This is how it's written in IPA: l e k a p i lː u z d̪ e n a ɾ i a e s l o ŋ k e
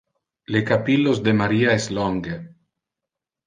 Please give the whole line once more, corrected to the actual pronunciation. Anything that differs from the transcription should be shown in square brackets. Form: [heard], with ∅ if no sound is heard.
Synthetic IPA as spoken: l e k a p i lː [o] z d̪ e [m] a ɾ i a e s l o ŋ [ɡ] e